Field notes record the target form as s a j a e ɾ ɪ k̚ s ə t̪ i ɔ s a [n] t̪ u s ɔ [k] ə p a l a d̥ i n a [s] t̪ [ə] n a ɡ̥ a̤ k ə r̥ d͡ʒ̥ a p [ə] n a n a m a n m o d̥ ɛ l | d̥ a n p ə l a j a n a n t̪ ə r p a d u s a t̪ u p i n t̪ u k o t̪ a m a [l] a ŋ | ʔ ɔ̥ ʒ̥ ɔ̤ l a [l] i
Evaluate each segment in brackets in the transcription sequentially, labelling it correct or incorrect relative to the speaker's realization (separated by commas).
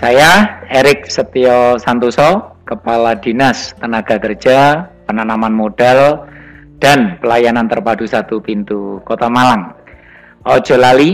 correct, correct, correct, correct, correct, correct, correct